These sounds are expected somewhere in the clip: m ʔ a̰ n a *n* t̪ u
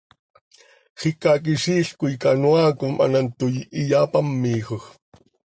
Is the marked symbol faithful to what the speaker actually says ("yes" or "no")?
yes